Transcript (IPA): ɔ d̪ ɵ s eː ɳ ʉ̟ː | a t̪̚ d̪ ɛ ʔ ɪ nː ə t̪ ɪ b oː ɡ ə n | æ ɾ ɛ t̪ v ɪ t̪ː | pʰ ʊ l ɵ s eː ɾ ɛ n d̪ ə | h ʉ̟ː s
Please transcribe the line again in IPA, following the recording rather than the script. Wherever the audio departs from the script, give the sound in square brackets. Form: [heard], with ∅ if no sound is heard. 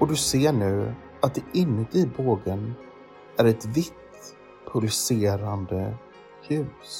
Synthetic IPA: ɔ d̪ ɵ s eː ɳ ʉ̟ː | a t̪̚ d̪ ɛ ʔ ɪ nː ə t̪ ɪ b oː ɡ ə n | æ ɾ ɛ t̪ v ɪ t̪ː | pʰ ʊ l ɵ s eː ɾ [a] n d̪ ə | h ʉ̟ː s